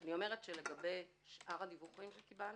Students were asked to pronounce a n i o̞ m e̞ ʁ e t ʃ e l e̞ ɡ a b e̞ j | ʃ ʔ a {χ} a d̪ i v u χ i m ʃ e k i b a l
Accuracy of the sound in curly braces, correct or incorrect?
incorrect